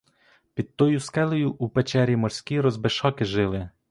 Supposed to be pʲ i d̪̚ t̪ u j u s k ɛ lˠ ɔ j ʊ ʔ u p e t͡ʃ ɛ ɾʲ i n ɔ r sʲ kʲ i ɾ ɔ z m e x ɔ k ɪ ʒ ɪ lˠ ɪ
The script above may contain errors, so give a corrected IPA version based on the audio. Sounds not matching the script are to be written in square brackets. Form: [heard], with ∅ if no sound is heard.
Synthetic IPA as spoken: pʲ i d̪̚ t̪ [ɔ] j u s k ɛ lˠ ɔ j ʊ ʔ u p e t͡ʃ ɛ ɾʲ i [m] ɔ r sʲ kʲ i ɾ ɔ z [b] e [ʃ] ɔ k ɪ ʒ ɪ lˠ ɪ